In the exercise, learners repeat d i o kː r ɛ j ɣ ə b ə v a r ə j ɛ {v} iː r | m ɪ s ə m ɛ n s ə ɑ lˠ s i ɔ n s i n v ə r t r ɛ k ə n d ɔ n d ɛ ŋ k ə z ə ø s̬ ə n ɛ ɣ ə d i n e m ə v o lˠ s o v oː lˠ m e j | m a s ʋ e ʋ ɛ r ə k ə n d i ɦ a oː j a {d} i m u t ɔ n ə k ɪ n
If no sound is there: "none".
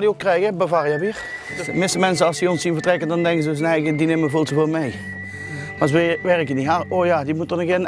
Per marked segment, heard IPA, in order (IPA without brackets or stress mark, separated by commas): ʋ, d